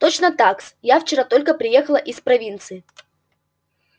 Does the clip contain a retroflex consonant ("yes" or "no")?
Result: no